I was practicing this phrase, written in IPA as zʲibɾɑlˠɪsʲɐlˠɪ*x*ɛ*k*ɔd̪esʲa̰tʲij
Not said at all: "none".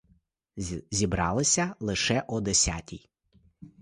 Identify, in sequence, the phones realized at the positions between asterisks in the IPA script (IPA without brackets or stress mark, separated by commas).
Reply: ʃ, ʔ